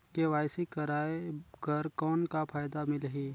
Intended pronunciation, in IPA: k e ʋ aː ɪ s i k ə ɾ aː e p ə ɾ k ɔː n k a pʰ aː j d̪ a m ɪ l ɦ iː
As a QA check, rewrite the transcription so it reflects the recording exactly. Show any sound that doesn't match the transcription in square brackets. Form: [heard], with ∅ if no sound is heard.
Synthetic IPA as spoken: k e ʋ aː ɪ s i k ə ɾ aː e [k] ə ɾ k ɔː n k a pʰ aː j d̪ a m ɪ l ɦ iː